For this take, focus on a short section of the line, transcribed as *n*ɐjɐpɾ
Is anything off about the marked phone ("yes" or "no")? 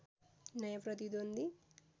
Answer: no